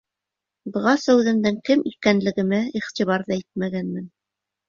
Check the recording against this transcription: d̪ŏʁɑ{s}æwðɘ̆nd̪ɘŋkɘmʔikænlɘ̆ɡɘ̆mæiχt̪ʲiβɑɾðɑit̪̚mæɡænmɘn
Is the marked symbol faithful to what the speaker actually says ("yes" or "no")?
yes